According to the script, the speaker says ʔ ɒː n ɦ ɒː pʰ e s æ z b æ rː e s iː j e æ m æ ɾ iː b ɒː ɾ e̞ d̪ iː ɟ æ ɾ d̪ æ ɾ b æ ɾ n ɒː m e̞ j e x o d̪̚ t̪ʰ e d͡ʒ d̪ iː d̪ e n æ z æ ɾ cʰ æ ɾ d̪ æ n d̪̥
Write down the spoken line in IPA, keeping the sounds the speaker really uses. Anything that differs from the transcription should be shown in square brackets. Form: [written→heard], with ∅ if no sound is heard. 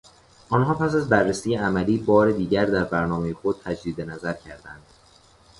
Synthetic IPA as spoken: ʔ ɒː n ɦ ɒː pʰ [e→æ] s æ z b æ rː e s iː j e æ m æ [ɾ→l] iː b ɒː ɾ e̞ d̪ iː ɟ æ ɾ d̪ æ ɾ b æ ɾ n ɒː m e̞ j e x o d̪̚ t̪ʰ [e→æ] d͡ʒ d̪ iː d̪ e n æ z æ ɾ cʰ æ ɾ d̪ æ n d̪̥